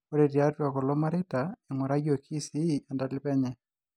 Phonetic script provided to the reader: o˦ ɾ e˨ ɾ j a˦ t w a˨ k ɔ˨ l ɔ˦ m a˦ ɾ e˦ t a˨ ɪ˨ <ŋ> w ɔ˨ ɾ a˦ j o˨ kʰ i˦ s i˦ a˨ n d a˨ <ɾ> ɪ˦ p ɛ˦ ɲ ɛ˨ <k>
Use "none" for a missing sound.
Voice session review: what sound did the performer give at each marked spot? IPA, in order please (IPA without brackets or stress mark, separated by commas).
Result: ŋ, l, none